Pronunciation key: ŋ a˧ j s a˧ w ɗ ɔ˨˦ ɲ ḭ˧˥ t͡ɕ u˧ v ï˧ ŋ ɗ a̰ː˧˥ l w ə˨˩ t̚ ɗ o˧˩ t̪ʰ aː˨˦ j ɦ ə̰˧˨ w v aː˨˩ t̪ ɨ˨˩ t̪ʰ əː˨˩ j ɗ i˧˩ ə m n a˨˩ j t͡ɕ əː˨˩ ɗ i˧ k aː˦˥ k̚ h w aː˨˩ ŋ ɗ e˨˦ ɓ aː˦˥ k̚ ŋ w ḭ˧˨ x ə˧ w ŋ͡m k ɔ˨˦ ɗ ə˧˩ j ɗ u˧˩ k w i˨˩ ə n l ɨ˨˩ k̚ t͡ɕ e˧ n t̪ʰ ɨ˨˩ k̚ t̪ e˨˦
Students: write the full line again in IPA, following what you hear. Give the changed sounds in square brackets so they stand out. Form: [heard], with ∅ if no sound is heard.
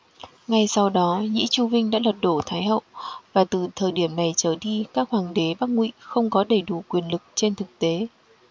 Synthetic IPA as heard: ŋ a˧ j s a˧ w ɗ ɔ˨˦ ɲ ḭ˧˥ t͡ɕ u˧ v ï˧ ŋ ɗ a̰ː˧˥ l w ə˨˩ t̚ ɗ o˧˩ t̪ʰ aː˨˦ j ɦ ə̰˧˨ w v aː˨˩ t̪ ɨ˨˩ t̪ʰ əː˨˩ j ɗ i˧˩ ə m n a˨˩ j t͡ɕ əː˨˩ ɗ i˧ k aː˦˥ k̚ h w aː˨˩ ŋ ɗ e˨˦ ɓ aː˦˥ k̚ ŋ w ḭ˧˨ x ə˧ w ŋ͡m k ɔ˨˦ ɗ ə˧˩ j ɗ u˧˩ k w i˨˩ ə n l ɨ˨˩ k̚ t͡ɕ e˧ n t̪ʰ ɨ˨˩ k̚ t̪ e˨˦